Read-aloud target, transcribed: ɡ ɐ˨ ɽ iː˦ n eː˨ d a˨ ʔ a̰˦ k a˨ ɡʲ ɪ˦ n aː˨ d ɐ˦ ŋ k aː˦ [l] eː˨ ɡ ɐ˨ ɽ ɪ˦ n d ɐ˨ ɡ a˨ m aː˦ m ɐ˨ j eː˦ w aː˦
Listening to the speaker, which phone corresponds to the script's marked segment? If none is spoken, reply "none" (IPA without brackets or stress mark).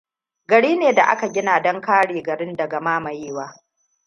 ɽ